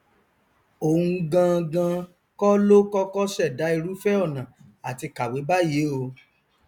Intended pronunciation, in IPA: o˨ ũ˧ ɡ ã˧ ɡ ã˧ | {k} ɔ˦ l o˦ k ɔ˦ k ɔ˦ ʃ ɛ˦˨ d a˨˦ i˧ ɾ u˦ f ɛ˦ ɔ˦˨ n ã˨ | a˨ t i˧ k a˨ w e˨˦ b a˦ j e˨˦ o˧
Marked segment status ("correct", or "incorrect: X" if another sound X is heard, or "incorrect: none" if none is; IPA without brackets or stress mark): correct